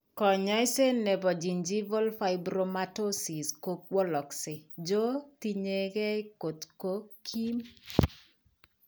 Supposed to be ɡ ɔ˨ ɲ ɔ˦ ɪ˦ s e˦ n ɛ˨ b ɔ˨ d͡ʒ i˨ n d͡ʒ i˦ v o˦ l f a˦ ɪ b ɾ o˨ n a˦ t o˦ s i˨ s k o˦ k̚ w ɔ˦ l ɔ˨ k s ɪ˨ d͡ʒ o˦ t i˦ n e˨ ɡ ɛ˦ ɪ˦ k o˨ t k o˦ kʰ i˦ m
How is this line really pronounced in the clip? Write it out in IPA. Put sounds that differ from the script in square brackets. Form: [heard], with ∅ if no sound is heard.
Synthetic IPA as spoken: [k] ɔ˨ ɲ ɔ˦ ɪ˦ s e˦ n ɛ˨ b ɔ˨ d͡ʒ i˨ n d͡ʒ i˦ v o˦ l f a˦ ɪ b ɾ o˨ [m] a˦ t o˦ s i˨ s k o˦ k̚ w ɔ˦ l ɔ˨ k s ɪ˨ d͡ʒ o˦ t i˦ [ɲ] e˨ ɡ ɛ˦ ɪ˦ k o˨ t k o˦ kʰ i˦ m